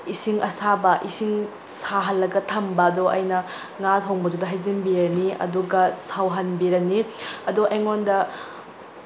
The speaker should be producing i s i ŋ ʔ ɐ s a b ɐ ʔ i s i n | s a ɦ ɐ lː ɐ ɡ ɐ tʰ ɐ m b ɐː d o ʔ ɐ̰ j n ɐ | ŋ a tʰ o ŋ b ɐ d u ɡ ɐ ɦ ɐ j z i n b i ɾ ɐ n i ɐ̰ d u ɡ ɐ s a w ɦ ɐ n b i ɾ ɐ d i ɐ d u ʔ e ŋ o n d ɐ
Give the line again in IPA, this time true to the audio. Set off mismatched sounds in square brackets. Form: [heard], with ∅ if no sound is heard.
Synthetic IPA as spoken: i s i ŋ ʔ ɐ s a b ɐ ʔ i s i [ŋ] | s a ɦ ɐ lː ɐ ɡ ɐ tʰ ɐ m b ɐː d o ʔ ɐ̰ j n ɐ | ŋ a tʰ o ŋ b ɐ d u [d] ɐ ɦ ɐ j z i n b i ɾ ɐ n i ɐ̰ d u ɡ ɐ s a w ɦ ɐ n b i ɾ ɐ [n] i ɐ d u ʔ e ŋ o n d ɐ

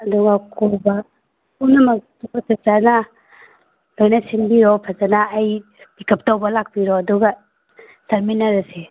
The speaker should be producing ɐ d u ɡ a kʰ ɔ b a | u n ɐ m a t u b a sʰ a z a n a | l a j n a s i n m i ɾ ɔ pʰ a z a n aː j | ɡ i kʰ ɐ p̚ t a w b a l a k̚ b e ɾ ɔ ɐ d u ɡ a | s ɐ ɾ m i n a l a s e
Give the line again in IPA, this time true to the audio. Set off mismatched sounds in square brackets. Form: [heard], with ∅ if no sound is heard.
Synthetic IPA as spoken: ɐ d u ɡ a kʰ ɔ b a | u n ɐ m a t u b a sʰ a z a n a | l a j n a s i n [b] i ɾ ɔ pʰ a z a n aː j | [b] i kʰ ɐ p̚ t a w b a l a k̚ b [i] ɾ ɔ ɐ d u ɡ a | s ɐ ɾ m i n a [ɾ] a s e

